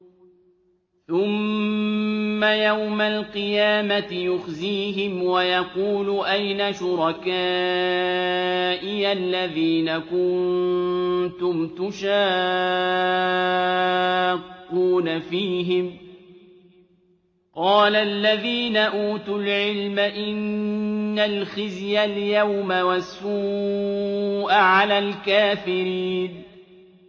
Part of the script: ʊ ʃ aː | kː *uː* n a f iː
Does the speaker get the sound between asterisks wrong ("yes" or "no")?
no